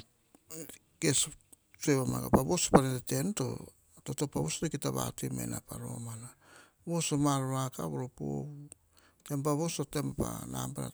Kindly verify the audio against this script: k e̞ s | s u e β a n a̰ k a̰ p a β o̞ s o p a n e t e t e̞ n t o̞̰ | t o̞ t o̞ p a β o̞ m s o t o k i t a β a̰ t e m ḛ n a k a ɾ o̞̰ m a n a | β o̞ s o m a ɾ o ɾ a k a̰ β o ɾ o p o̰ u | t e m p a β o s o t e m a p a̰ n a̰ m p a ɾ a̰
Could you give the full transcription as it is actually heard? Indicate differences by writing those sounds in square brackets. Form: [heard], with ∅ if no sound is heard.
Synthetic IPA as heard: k e̞ s | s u e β a [m] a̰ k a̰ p a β o̞ s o p a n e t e t e̞ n t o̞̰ | t o̞ t o̞ p a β o̞ [∅] s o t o k i t a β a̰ t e m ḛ n a [p] a ɾ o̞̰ m a n a | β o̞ s o m a ɾ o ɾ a k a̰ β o ɾ o p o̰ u | t e m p a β o s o t e m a p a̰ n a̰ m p a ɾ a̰